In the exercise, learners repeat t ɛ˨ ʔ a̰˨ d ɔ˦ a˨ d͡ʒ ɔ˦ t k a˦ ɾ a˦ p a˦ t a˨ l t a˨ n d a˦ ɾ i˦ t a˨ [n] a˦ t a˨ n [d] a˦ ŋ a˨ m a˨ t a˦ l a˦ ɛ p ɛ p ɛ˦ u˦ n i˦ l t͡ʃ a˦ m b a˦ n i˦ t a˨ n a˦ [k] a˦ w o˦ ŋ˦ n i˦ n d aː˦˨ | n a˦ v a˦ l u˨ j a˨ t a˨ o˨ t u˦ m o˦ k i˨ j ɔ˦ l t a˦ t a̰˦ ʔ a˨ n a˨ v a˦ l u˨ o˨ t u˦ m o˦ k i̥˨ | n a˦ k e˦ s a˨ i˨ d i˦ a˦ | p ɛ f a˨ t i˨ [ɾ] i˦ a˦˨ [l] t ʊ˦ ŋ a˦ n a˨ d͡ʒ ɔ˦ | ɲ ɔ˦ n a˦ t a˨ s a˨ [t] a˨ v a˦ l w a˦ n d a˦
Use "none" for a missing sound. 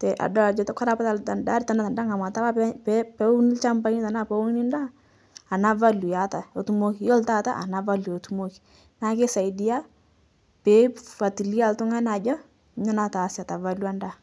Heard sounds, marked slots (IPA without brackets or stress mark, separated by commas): n, d, p, l, l, t